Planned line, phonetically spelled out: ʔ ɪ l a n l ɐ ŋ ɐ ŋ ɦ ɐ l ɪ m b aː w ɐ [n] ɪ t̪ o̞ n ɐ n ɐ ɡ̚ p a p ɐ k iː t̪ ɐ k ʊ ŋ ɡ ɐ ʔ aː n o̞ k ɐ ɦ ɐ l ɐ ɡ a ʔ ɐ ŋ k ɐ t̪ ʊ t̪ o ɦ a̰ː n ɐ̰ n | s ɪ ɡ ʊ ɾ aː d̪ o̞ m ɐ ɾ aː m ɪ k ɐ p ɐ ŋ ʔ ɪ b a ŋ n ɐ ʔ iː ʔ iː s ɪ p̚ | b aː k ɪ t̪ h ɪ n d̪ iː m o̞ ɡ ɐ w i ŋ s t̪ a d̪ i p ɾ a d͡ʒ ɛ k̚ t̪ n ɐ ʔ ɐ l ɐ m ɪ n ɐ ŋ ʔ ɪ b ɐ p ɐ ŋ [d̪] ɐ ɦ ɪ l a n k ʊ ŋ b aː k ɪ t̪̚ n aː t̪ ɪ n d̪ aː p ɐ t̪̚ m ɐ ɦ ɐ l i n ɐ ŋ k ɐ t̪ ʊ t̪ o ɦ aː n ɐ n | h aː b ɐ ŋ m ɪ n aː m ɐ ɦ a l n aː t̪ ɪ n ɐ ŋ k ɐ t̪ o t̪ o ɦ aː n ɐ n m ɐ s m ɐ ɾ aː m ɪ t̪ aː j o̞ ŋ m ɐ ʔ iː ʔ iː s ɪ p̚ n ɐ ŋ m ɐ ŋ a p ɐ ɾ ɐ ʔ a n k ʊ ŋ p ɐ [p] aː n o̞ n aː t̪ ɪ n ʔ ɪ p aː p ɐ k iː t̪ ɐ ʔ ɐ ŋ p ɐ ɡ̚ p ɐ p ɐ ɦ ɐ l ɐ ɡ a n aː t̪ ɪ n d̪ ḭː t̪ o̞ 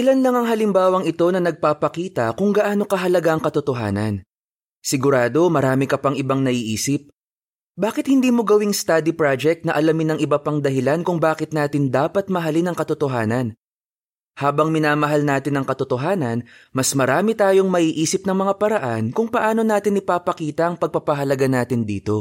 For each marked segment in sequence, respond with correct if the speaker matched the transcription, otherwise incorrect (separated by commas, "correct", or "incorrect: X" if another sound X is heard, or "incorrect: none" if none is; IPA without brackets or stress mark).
incorrect: ŋ, correct, incorrect: ʔ